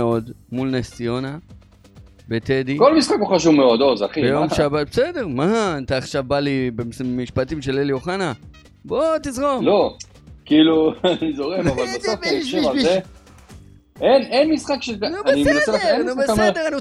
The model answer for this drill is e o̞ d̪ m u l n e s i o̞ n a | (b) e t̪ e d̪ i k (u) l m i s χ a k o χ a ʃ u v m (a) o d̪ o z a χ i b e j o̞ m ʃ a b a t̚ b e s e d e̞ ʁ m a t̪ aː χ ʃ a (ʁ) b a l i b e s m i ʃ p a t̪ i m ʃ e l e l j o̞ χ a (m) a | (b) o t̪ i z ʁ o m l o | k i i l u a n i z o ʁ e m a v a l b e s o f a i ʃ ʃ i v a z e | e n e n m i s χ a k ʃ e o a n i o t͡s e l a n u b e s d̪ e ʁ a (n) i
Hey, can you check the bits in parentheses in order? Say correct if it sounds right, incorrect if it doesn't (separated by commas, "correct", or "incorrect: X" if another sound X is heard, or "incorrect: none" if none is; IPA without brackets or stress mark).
correct, incorrect: o, incorrect: e, incorrect: v, incorrect: n, correct, correct